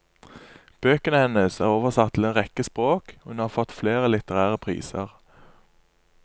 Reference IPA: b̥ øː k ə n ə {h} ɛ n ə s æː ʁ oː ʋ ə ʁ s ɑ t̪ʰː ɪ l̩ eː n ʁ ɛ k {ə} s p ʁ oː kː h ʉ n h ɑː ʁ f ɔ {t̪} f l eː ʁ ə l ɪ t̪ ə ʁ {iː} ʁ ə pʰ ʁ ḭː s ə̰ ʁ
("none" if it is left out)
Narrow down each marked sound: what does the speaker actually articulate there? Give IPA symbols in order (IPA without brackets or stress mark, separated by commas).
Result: h, ə, t̪, æː